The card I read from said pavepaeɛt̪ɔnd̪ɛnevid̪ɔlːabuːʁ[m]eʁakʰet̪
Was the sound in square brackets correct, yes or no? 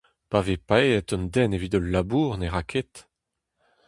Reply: no